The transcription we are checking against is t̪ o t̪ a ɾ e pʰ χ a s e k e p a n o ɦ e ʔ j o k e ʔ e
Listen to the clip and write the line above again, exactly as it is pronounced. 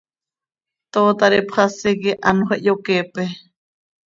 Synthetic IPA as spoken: t̪ o t̪ a ɾ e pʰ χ a s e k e ʔ a n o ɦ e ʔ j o k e p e